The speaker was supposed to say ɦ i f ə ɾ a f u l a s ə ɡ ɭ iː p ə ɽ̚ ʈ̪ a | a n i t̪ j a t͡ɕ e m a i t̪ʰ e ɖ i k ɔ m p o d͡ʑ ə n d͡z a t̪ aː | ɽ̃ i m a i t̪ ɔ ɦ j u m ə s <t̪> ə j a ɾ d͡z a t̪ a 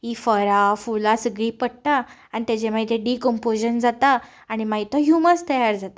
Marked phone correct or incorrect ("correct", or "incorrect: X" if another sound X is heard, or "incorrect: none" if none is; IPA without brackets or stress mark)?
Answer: correct